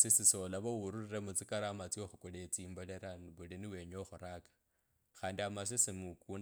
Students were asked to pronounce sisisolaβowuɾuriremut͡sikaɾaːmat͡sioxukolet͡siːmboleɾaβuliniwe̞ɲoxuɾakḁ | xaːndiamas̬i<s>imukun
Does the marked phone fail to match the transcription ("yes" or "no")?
no